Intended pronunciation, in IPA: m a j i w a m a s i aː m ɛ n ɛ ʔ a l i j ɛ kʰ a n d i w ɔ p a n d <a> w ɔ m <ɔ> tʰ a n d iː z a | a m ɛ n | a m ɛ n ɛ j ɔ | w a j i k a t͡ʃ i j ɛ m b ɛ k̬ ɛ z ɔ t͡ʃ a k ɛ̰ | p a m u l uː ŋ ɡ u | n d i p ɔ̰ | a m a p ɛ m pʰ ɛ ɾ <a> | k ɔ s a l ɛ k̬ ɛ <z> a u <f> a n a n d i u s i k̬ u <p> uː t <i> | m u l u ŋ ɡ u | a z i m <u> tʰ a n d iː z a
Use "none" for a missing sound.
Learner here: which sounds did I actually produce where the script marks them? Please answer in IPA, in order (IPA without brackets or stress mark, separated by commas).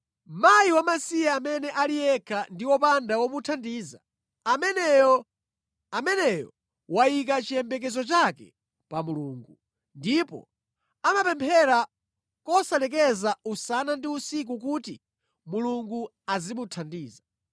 a, u, a, z, s, k, i, u